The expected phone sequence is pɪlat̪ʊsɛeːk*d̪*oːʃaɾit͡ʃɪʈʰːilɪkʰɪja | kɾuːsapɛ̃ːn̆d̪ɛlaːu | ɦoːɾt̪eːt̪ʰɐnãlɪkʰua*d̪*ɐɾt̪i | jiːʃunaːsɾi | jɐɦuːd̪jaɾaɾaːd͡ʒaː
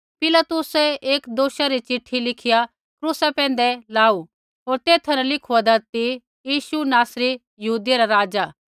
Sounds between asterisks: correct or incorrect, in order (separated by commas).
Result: correct, correct